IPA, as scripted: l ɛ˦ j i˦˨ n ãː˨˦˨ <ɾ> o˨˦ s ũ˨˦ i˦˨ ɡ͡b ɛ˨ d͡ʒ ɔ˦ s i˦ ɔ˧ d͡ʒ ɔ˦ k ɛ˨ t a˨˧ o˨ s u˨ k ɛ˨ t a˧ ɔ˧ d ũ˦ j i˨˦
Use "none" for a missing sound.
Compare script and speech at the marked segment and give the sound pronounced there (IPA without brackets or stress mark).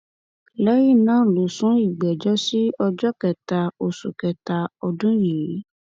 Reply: l